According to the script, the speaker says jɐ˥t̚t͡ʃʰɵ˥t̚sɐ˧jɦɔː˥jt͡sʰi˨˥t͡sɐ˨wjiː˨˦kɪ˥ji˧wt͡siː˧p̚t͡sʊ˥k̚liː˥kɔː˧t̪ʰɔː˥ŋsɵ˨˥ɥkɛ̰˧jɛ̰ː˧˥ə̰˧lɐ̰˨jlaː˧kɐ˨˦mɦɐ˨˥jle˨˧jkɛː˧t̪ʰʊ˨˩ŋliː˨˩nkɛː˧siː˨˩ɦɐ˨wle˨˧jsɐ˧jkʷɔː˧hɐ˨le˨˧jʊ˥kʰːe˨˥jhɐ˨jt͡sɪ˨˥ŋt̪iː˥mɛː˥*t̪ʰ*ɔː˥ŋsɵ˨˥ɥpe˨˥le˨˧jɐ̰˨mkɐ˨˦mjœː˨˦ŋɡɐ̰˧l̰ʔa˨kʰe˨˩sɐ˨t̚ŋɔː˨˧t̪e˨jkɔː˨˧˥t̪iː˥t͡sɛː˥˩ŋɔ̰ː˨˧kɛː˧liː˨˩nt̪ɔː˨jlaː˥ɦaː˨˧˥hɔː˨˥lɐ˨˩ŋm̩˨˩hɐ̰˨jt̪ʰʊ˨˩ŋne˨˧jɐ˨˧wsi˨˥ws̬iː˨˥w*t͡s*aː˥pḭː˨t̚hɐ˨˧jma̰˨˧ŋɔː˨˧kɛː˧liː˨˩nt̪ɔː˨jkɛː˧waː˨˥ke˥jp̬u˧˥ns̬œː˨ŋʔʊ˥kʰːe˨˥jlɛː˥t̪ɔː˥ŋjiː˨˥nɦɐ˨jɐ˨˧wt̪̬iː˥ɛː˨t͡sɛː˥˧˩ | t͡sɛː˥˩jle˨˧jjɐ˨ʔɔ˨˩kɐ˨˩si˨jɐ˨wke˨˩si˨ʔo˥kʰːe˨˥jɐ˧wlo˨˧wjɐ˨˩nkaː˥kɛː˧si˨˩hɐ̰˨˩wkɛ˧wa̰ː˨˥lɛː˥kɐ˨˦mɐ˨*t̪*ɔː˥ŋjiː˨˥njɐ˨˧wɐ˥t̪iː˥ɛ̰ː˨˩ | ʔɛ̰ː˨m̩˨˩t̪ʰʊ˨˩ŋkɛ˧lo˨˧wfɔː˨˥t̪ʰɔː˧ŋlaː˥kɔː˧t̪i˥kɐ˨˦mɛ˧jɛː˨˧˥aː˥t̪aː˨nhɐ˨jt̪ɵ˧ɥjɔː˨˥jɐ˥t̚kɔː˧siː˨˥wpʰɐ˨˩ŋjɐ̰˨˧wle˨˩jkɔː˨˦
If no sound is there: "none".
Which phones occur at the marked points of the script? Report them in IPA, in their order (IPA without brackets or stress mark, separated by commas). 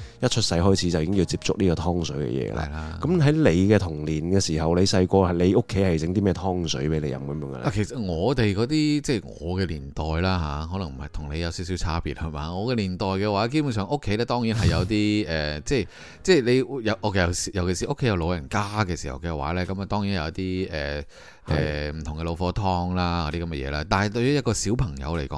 t̪ʰ, t͡sʰ, t̪